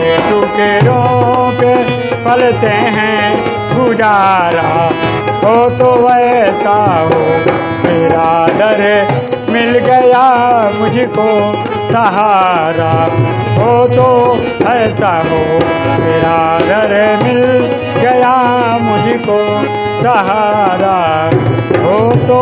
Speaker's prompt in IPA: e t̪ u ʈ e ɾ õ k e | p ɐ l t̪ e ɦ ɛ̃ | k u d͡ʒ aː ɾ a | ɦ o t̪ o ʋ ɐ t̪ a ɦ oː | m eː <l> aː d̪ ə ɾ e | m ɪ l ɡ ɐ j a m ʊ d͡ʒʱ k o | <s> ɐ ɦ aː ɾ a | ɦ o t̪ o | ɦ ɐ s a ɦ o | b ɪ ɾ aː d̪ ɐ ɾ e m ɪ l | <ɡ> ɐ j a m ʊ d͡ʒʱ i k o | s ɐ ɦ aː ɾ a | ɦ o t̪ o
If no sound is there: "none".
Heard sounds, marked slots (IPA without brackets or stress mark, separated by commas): ɾ, s, ɡ